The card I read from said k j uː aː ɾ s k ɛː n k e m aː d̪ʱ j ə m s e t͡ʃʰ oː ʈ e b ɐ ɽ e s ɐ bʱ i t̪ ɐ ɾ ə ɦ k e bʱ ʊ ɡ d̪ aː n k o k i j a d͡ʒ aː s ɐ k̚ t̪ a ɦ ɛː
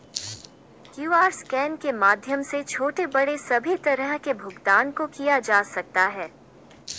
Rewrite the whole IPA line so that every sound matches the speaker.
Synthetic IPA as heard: k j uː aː ɾ s k ɛː n k e m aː d̪ʱ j ə m s e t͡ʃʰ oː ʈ e b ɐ ɽ e s ɐ bʱ i t̪ ɐ ɾ ə ɦ k e bʱ ʊ ɡ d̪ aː n k o k i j a d͡ʒ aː s ɐ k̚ t̪ a ɦ ɛː